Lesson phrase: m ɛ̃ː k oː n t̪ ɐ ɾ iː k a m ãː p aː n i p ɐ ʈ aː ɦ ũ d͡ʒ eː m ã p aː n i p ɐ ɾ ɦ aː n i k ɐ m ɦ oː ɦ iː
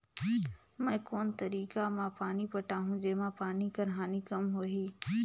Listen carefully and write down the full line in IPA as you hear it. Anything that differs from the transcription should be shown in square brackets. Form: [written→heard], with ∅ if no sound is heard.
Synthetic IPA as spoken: m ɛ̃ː k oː n t̪ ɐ ɾ iː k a m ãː p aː n i p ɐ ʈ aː ɦ ũ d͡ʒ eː m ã p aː n i [p→k] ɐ ɾ ɦ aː n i k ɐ m ɦ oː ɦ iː